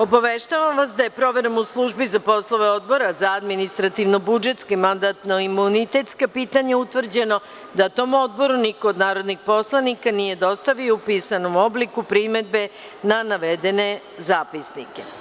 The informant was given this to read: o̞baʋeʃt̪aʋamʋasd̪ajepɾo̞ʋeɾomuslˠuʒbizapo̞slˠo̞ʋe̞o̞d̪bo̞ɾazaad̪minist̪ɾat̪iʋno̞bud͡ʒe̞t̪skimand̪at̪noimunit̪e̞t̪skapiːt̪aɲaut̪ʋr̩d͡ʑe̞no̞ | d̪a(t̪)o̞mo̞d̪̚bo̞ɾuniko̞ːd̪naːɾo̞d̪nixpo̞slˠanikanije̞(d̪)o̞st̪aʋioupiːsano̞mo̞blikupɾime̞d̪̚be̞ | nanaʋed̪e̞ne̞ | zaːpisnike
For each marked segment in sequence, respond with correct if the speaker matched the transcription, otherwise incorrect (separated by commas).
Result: correct, correct